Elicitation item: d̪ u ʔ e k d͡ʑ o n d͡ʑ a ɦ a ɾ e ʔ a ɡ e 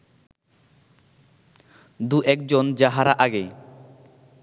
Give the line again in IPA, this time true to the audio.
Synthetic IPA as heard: d̪ u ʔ ɛ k d͡ʑ o n d͡ʑ a ɦ a ɾ a ʔ a ɡ e